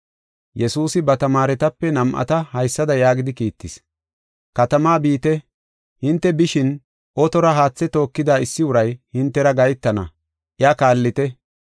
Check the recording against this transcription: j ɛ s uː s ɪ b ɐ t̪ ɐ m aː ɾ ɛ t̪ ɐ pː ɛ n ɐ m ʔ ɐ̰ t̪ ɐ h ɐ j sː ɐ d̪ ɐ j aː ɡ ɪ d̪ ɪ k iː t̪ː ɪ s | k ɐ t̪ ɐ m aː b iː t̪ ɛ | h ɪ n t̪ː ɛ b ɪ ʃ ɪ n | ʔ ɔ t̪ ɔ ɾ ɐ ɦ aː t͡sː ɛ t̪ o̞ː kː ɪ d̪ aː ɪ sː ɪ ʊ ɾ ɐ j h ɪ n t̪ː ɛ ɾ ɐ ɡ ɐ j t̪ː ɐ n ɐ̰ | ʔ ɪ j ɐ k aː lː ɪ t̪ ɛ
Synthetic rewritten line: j ɛ s uː s ɪ b ɐ t̪ ɐ m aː ɾ ɛ t̪ ɐ pː ɛ n ɐ m ʔ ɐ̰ t̪ ɐ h ɐ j sː ɐ d̪ ɐ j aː ɡ ɪ d̪ ɪ k iː t̪ː ɪ s | k ɐ t̪ ɐ m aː b iː t̪ ɛ | h ɪ n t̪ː ɛ b ɪ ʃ ɪ n | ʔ ɔ t̪ ɔ ɾ ɐ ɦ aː t͡sː ɛ t̪ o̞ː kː ɪ d̪ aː ɪ sː ɪ ʊ ɾ ɐ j h ɪ n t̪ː ɛ ɾ ɐ ɡ ɐ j t̪ː ɐ n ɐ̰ | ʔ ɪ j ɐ k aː lː ɪ t̪ ɛ